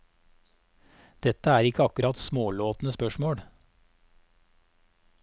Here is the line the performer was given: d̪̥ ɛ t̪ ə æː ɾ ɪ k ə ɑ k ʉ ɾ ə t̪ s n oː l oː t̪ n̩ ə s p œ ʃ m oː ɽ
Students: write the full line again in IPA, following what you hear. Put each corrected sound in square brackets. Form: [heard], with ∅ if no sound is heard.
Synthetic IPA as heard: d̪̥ ɛ t̪ ə æː ɾ ɪ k ə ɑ k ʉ ɾ [ɑ] t̪ s [m] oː l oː t̪ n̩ ə s p œ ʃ m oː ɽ